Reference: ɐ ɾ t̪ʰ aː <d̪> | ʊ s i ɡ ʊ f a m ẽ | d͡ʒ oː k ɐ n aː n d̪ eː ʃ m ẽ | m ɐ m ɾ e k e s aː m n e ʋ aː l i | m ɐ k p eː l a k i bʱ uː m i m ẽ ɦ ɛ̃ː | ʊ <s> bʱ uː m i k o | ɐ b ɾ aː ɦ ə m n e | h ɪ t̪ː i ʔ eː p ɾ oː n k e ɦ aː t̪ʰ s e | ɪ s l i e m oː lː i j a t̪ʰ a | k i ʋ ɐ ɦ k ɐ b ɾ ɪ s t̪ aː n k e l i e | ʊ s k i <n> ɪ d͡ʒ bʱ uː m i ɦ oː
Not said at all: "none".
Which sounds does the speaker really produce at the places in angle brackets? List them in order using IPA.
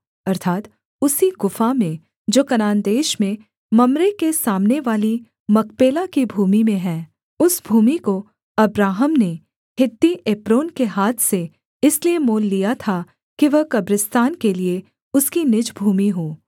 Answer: t̪, s, n

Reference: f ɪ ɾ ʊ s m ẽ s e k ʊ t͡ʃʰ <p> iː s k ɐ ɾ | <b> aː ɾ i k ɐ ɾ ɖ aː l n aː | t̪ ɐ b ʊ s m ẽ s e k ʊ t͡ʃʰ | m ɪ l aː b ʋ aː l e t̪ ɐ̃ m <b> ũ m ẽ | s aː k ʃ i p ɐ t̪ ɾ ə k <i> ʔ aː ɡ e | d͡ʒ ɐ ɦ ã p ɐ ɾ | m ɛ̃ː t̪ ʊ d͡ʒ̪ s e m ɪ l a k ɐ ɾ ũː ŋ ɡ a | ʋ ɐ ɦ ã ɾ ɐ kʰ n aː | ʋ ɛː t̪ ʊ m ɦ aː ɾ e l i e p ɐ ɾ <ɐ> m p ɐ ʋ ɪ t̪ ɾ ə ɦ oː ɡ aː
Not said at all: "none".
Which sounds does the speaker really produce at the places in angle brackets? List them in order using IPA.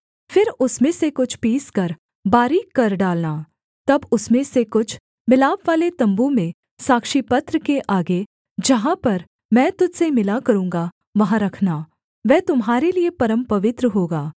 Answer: p, b, b, e, ə

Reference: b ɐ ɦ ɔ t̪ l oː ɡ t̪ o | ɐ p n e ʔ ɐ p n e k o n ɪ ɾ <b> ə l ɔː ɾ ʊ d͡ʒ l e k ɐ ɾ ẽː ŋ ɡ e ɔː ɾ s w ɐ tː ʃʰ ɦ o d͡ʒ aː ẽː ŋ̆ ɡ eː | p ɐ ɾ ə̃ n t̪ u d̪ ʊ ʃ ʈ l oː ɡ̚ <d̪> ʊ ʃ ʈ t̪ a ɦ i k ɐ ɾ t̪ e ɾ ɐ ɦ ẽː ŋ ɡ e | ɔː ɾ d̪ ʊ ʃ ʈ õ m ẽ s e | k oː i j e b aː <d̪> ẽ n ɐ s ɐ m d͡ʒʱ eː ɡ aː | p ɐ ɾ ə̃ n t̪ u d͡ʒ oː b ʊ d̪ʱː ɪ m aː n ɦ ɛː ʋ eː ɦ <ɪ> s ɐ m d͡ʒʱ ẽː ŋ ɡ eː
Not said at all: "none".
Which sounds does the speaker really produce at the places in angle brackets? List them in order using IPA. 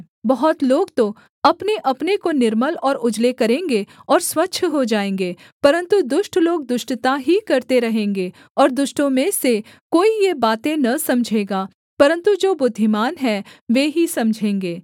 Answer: m, d̪, t̪, i

